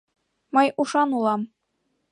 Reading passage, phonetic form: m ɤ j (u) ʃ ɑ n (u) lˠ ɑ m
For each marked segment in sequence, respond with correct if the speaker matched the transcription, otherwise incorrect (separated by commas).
correct, correct